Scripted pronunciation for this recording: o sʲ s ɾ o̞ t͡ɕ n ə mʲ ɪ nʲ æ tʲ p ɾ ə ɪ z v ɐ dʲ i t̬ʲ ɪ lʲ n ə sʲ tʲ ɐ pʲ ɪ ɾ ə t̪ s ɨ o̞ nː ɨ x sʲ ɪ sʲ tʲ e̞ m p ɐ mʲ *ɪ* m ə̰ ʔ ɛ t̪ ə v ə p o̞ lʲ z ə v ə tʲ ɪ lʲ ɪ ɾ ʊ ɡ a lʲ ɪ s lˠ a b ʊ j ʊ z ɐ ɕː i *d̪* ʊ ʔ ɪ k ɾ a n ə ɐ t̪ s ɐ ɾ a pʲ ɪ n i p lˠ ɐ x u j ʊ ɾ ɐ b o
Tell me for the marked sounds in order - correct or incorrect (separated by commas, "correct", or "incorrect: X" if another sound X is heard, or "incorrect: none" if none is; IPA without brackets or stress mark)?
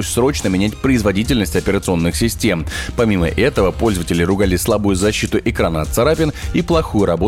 incorrect: i, incorrect: t̪